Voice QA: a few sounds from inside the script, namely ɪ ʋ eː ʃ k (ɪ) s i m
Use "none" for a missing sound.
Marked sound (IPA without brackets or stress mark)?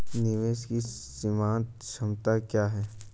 i